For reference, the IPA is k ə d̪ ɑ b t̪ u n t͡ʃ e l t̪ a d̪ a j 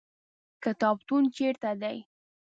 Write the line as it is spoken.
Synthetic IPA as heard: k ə t̪ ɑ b t̪ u n t͡ʃ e ɾ t̪ a d̪ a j